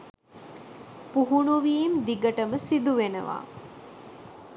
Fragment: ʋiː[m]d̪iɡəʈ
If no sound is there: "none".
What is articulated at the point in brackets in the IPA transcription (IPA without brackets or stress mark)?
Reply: m